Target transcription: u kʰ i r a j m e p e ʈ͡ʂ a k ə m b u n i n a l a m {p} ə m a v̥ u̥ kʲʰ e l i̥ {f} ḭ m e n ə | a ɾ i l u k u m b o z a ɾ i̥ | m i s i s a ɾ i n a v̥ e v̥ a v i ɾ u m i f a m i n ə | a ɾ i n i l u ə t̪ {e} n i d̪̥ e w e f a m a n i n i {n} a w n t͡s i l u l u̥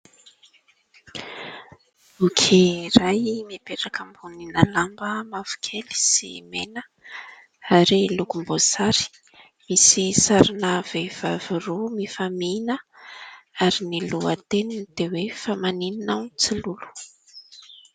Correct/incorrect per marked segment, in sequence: incorrect: b, incorrect: s, correct, correct

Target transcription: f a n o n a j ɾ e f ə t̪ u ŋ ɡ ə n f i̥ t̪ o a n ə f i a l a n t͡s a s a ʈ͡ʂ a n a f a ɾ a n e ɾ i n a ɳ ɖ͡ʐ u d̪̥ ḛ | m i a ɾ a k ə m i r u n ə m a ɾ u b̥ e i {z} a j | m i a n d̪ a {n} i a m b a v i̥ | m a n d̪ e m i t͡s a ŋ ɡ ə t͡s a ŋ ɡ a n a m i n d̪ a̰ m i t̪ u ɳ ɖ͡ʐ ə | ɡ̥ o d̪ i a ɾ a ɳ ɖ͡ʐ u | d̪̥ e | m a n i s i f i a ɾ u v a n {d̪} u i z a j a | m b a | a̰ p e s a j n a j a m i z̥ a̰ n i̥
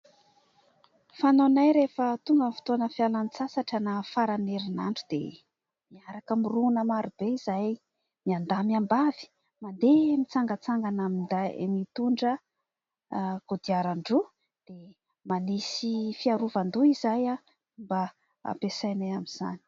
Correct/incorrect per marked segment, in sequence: correct, incorrect: m, correct

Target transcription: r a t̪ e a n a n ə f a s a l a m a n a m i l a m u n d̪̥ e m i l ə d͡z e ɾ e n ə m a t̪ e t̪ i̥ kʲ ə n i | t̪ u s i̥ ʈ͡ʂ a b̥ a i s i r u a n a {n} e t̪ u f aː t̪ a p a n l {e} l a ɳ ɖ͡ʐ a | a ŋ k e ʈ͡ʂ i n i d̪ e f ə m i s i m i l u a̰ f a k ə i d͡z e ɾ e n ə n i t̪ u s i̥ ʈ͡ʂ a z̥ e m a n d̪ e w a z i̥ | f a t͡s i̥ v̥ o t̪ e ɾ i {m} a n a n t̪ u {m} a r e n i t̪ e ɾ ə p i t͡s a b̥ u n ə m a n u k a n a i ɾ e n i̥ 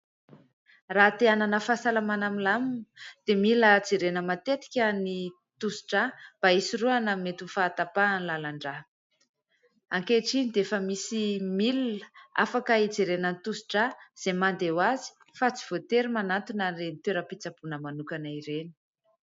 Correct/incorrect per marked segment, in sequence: incorrect: m, incorrect: a, correct, incorrect: n

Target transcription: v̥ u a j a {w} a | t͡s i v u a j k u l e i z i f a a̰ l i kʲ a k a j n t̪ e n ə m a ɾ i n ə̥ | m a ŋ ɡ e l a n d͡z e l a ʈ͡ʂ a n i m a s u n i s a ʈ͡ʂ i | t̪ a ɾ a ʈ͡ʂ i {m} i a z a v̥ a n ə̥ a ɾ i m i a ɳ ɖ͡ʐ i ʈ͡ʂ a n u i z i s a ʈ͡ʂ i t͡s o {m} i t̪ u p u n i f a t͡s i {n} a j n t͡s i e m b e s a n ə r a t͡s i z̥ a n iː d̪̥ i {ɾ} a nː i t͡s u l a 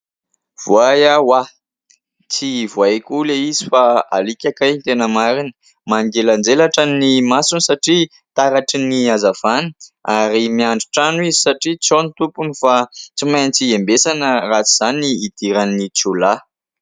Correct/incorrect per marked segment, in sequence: correct, incorrect: n, incorrect: n, incorrect: m, correct

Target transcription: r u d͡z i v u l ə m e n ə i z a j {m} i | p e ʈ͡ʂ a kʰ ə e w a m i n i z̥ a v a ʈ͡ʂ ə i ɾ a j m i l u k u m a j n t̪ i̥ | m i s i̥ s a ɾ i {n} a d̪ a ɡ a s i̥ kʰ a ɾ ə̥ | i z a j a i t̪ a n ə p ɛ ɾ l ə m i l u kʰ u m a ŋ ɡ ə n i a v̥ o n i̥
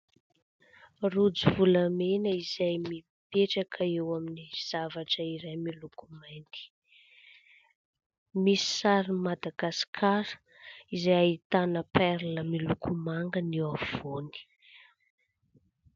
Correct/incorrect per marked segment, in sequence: correct, incorrect: m

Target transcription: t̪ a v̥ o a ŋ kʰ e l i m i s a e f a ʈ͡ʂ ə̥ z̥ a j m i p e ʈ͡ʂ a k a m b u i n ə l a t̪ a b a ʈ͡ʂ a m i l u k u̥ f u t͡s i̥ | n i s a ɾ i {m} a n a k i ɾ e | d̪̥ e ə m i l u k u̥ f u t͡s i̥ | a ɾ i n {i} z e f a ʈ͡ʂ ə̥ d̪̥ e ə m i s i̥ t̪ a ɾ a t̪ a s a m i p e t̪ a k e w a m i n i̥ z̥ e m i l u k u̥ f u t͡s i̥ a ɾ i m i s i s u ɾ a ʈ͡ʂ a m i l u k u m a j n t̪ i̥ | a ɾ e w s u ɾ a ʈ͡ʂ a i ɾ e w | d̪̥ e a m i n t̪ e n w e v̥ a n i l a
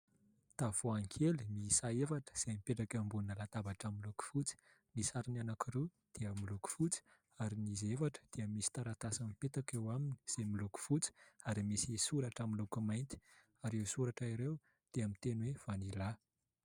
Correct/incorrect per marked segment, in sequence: incorrect: n, correct

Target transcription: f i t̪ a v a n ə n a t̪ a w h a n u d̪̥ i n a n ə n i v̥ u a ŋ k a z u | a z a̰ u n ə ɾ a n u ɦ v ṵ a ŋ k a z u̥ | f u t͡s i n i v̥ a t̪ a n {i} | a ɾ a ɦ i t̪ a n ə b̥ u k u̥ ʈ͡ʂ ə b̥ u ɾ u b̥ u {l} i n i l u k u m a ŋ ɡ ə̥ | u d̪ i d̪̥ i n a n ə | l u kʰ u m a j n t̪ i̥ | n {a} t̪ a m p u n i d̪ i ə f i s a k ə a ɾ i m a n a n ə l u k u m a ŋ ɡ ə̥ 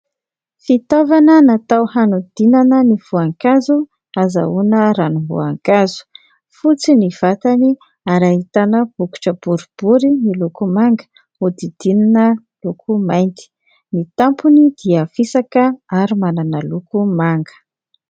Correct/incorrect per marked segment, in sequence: correct, incorrect: ɾ, incorrect: i

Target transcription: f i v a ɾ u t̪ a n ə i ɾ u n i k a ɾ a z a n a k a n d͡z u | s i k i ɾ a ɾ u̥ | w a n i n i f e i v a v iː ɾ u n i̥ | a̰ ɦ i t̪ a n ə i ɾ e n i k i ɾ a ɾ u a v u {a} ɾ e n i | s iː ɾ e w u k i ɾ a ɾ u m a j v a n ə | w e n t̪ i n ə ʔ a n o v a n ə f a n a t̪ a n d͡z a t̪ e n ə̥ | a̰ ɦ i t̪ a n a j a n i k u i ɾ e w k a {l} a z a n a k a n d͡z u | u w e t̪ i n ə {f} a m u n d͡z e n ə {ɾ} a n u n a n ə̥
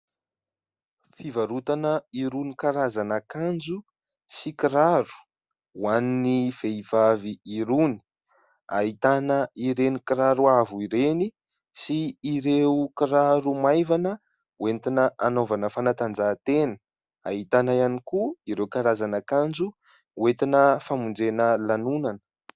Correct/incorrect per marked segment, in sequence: incorrect: i, incorrect: ɾ, correct, incorrect: l

